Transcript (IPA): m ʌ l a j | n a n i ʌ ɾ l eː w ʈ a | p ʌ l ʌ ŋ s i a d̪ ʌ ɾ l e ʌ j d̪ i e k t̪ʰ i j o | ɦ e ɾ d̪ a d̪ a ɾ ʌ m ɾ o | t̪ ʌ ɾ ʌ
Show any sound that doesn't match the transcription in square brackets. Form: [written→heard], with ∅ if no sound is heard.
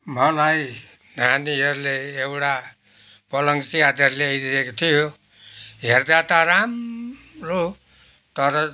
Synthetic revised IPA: m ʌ l a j | n a n i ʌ ɾ l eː w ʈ a | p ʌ l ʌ ŋ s i a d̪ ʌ ɾ l e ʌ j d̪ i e k t̪ʰ i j o | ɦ e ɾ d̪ a [d̪→t̪] a ɾ [ʌ→a] m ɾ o | t̪ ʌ ɾ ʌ